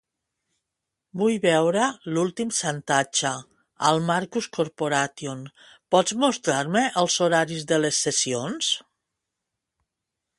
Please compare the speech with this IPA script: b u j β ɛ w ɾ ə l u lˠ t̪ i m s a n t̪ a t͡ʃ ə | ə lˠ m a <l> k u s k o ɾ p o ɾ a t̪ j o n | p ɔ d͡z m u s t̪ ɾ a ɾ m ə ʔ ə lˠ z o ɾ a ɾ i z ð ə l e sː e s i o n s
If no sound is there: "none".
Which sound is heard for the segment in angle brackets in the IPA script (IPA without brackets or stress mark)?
ɾ